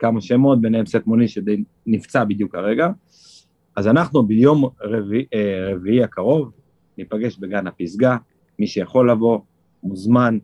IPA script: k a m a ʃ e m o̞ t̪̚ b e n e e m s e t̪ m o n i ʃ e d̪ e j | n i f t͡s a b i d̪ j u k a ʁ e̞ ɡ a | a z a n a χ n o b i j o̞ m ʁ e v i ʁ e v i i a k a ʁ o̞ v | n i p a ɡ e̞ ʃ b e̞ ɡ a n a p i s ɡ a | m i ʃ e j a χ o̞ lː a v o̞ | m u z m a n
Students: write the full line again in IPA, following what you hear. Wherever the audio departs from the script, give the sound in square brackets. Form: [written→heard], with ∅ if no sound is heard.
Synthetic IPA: k a m a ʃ e m o̞ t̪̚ b e n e e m s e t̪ m o n i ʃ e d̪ e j | n i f t͡s a b i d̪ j u k a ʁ e̞ ɡ a | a z a n a χ n [o→u] b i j o̞ m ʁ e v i ʁ e v i i a k a ʁ o̞ v | n i p a ɡ e̞ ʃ b e̞ ɡ a n a p i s ɡ a | m i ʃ e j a χ o̞ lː a v o̞ | m u z m a n